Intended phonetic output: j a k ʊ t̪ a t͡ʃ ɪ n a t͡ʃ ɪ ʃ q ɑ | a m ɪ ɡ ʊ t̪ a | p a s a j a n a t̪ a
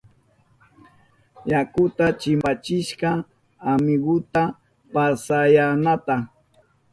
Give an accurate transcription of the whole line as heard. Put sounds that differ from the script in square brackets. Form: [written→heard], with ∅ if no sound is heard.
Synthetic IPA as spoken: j a k ʊ t̪ a t͡ʃ ɪ [n→m] a t͡ʃ ɪ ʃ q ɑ | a m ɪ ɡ ʊ t̪ a | p a s a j a n a t̪ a

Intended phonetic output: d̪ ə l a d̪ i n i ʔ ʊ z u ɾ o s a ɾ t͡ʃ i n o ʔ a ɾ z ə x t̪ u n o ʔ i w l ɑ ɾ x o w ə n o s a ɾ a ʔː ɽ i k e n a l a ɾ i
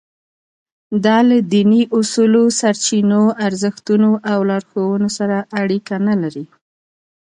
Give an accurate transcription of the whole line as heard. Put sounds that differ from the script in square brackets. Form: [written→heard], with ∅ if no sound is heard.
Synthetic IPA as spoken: d̪ [ə→ɑ] l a d̪ i n i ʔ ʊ [z→s] u [ɾ→l] o s a ɾ t͡ʃ i n o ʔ a ɾ z ə x t̪ u n o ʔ [i→a] w l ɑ ɾ x o w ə n o s a ɾ a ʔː ɽ i k [e→a] n a l a ɾ i

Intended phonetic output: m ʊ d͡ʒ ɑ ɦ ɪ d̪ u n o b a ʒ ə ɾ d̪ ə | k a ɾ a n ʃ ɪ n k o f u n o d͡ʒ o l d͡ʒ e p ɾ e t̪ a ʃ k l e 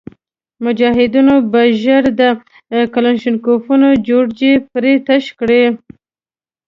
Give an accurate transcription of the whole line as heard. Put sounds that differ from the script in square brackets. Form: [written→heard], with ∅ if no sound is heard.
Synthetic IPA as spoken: m ʊ d͡ʒ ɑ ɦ ɪ d̪ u n o b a ʒ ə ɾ d̪ ə | k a [ɾ→l] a n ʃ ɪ n k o f u n o d͡ʒ o [l→ɽ] d͡ʒ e p ɾ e t̪ a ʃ k [l→ɽ] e

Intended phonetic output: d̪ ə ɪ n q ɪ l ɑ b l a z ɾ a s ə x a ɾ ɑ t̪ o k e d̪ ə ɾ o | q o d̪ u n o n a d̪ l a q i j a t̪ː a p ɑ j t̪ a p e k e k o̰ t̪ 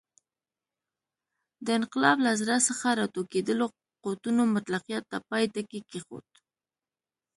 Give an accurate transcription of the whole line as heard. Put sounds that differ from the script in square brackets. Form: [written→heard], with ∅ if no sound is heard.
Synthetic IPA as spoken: d̪ ə ɪ n q ɪ l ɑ b l a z ɾ a s ə x a ɾ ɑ t̪ o k e d̪ ə [ɾ→l] o | q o [d̪→t̪] u n o [n→m] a [d̪→t̪] l a q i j a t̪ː a p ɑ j t̪ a [p→k] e k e [k→x] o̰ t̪

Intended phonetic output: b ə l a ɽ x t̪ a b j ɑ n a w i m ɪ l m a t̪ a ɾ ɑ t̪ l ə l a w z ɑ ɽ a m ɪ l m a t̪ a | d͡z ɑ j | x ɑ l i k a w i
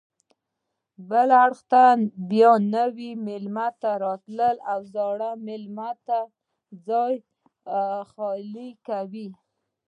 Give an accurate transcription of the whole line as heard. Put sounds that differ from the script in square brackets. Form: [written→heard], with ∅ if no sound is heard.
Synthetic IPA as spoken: b ə l a ɽ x t̪ a b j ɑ n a w i m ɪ l m a t̪ a ɾ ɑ t̪ l ə l a w z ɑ ɽ a m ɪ l m a t̪ a | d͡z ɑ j | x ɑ l i k a w i

